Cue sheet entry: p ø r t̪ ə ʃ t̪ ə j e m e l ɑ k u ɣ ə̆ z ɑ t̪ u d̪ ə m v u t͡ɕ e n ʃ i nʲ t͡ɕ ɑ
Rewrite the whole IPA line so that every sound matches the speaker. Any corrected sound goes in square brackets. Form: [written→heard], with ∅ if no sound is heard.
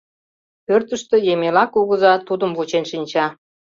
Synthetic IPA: p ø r t̪ ə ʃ t̪ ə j e m e l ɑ k u ɣ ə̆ z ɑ t̪ u d̪ ə m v u t͡ɕ e n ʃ i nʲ t͡ɕ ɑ